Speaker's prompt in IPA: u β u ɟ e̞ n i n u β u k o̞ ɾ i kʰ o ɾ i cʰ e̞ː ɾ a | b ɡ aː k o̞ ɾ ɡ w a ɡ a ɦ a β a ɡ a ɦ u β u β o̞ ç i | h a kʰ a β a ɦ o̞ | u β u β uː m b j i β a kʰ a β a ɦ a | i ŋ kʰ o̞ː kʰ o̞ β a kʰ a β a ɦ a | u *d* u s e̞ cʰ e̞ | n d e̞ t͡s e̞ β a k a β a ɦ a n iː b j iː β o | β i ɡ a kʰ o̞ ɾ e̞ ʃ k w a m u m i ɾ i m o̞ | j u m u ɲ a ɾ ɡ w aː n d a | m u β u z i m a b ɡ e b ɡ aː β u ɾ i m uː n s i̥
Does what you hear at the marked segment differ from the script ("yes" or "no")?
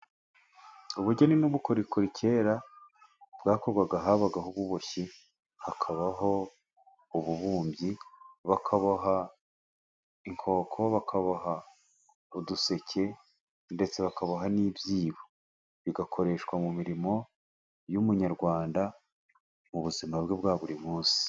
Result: no